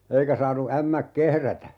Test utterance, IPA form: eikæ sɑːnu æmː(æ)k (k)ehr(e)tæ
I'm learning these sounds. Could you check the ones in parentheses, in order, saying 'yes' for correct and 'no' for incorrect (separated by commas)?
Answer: yes, yes, no